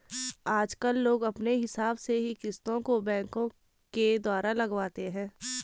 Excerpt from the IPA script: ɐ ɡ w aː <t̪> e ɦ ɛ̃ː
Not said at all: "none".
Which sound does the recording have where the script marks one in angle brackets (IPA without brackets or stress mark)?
t̪